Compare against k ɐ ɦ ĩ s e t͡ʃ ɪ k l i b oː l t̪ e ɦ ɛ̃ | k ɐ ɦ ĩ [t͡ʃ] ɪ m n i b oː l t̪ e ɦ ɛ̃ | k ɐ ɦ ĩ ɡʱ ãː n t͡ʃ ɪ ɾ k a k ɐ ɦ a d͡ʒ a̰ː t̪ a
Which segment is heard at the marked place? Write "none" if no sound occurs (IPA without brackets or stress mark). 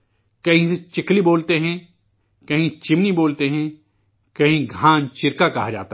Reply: t͡ʃ